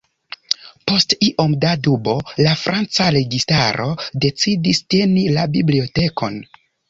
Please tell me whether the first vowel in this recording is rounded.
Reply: yes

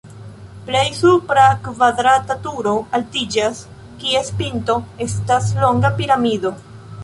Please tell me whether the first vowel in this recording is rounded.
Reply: no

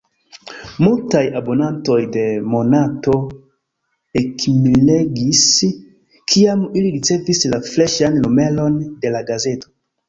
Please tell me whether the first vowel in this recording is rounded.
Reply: yes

